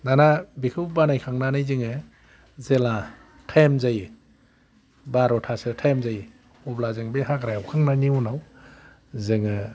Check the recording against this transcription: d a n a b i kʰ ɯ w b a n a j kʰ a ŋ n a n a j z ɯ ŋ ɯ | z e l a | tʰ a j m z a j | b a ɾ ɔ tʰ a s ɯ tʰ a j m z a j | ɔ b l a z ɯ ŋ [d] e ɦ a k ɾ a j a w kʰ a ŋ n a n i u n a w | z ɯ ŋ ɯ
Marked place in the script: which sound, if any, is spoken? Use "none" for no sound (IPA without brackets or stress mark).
b